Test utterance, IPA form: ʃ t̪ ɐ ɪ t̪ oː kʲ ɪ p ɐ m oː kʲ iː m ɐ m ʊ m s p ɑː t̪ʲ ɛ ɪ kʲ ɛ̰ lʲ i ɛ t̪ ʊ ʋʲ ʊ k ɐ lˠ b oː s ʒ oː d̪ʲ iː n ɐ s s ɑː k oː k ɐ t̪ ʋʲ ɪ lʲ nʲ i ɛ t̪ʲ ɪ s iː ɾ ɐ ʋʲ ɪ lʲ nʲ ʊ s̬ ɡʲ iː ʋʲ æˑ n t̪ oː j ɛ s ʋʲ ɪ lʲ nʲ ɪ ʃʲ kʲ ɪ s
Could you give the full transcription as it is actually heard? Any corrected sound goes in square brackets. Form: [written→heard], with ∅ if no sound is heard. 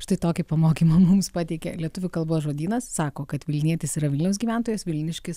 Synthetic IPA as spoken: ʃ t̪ ɐ ɪ t̪ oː kʲ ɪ p ɐ m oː kʲ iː m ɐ m ʊ m s p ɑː t̪ʲ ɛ ɪ kʲ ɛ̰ lʲ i ɛ t̪ ʊ ʋʲ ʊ k ɐ lˠ b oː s ʒ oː d̪ʲ iː n ɐ s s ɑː k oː k ɐ t̪ ʋʲ ɪ lʲ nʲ i ɛ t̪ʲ ɪ s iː ɾ ɐ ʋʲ ɪ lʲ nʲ ʊ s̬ ɡʲ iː ʋʲ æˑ n t̪ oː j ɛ s ʋʲ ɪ lʲ nʲ ɪ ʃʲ kʲ ɪ s